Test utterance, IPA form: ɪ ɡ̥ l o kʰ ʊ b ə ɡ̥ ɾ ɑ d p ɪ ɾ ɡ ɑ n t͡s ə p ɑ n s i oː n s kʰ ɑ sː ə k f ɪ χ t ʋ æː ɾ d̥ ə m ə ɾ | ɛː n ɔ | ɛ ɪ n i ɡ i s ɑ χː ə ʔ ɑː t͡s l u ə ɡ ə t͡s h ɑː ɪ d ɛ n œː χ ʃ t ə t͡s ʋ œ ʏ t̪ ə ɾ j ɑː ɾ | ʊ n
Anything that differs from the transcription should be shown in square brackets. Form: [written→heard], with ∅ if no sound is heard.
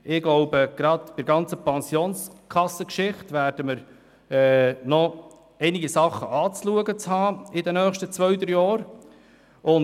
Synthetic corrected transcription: ɪ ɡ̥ l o [kʰ→∅] ʊ b ə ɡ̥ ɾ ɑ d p ɪ ɾ ɡ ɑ n t͡s ə p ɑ n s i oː n s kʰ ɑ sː ə k [f→ʃ] ɪ χ t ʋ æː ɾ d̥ ə m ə ɾ | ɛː n ɔ | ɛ ɪ n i ɡ i s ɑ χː ə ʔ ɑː t͡s l u ə ɡ ə t͡s h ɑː ɪ d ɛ n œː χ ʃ t ə t͡s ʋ œ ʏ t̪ ə ɾ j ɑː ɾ | ʊ n